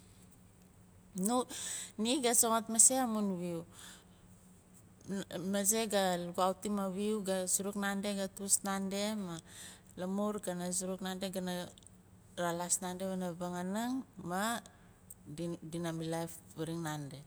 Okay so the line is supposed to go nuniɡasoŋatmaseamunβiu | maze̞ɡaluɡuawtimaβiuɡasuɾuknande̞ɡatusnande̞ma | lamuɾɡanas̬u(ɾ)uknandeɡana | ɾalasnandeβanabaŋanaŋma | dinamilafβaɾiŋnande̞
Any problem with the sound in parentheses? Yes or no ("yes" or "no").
no